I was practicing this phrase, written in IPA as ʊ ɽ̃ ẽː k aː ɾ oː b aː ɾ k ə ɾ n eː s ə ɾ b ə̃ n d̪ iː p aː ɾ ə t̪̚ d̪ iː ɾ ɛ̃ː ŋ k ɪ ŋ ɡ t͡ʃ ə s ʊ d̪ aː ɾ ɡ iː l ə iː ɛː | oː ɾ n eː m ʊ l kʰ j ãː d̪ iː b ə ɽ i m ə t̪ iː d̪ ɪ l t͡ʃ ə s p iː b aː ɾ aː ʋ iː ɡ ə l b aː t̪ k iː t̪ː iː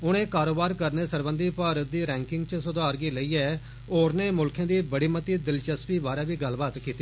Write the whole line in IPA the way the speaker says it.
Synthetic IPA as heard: ʊ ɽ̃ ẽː k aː ɾ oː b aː ɾ k ə ɾ n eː s ə ɾ b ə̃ n d̪ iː p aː ɾ ə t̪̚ d̪ iː ɾ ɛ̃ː ŋ k ɪ ŋ ɡ t͡ʃ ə s ʊ d̪ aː ɾ ɡ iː l ə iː ɛː | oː ɾ n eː m ʊ l kʰ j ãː d̪ iː b ə ɽ iː m ə t̪ iː d̪ ɪ l t͡ʃ ə s p iː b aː ɾ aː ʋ iː ɡ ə l b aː t̪ k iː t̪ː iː